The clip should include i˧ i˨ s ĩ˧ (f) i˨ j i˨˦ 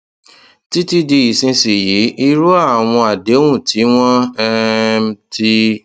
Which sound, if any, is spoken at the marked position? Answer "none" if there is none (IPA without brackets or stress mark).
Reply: s